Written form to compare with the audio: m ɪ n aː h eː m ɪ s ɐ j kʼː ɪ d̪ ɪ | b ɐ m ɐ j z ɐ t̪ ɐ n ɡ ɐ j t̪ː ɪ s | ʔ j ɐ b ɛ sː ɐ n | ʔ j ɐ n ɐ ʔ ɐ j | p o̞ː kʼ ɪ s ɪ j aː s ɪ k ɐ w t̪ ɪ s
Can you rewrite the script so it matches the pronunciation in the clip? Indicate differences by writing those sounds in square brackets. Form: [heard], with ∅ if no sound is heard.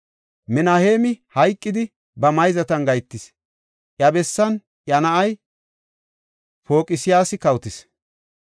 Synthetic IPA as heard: m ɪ n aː h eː m ɪ [h] ɐ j kʼː ɪ d̪ ɪ | b ɐ m ɐ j z ɐ t̪ ɐ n ɡ ɐ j t̪ː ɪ s | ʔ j ɐ b ɛ sː ɐ n | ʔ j ɐ n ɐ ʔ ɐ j | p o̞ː kʼ ɪ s ɪ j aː s ɪ k ɐ w t̪ ɪ s